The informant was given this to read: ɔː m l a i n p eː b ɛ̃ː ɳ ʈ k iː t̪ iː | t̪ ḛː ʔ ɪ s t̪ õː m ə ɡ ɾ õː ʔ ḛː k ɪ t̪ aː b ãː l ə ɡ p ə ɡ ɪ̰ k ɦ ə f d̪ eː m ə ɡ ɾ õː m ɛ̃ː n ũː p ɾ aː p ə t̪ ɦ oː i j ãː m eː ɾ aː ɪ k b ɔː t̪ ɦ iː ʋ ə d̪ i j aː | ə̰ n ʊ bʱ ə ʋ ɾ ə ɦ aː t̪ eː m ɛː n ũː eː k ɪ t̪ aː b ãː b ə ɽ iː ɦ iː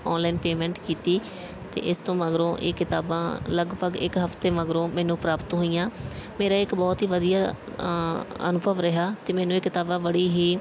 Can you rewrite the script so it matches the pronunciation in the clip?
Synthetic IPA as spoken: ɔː n l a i n p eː m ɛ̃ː ɳ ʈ k iː t̪ iː | t̪ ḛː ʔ ɪ s t̪ õː m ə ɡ ɾ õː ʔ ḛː k ɪ t̪ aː b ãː l ə ɡ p ə ɡ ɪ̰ k ɦ ə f t̪ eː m ə ɡ ɾ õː m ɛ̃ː n ũː p ɾ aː p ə t̪ ɦ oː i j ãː m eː ɾ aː ɪ k b ɔː t̪ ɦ iː ʋ ə d̪ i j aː | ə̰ n ʊ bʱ ə ʋ ɾ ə ɦ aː t̪ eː m ɛː n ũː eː k ɪ t̪ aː b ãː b ə ɽ iː ɦ iː